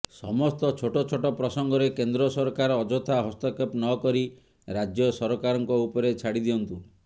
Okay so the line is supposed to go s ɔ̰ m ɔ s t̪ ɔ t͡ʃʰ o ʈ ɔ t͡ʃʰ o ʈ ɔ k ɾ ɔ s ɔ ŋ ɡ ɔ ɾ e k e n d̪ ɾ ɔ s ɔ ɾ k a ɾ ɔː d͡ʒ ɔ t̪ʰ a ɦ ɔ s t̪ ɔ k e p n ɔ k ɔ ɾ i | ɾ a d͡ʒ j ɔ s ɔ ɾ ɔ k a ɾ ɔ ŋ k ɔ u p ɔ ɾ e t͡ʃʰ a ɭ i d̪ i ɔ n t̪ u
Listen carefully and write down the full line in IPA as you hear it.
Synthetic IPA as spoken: s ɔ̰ m ɔ s t̪ ɔ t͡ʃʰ o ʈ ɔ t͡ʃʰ o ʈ ɔ p ɾ ɔ s ɔ ŋ ɡ ɔ ɾ e k e n d̪ ɾ ɔ s ɔ ɾ k a ɾ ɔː d͡ʒ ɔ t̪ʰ a ɦ ɔ s t̪ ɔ k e p n ɔ k ɔ ɾ i | ɾ a d͡ʒ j ɔ s ɔ ɾ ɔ k a ɾ ɔ ŋ k ɔ u p ɔ ɾ e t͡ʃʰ a ɽ i d̪ i ɔ n t̪ u